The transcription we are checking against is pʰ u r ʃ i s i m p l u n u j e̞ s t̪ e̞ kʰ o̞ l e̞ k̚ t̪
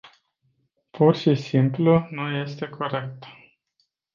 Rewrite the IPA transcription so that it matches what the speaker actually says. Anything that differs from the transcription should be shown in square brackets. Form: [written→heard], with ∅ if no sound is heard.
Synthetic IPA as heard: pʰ u r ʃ i s i m p l u n u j e̞ s t̪ e̞ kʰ o̞ [l→ɾ] e̞ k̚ t̪